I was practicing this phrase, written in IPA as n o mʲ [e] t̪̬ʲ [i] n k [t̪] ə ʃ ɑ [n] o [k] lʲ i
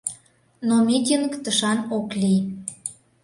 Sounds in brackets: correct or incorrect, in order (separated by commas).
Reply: incorrect, correct, correct, correct, correct